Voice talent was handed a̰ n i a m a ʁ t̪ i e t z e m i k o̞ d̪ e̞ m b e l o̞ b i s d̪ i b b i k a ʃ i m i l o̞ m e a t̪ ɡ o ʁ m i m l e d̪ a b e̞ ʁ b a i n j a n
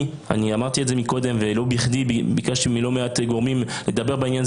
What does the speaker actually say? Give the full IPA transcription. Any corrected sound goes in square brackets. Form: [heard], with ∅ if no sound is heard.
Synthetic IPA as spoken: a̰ n i a m a ʁ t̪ i e t z e m i k o̞ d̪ e̞ m [v] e l o̞ b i [χ] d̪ i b b i k a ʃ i m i l o̞ m e a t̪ ɡ o ʁ m i m l e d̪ a b e̞ ʁ b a i n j a n